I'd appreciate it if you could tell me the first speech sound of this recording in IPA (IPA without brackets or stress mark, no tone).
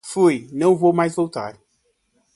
f